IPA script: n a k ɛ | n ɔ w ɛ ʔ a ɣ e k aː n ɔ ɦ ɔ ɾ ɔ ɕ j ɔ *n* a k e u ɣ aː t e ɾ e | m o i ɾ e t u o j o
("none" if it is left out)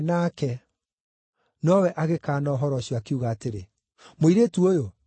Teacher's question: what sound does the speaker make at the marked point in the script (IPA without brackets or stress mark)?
none